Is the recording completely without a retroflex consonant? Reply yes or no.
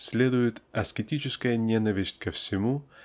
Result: yes